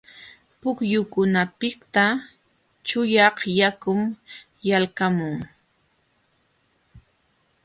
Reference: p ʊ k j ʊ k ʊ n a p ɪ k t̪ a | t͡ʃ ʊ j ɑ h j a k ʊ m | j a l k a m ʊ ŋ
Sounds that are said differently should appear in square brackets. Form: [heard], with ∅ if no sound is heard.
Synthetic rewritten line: p ʊ k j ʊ k ʊ n a p ɪ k t̪ a | t͡ʃ ʊ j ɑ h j a k ʊ m | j a l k a m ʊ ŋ